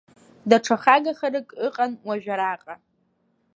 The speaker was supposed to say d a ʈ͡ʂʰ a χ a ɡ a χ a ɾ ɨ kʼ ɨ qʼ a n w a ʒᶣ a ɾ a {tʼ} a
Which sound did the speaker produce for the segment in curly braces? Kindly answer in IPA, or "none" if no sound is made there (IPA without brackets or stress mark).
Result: qʼ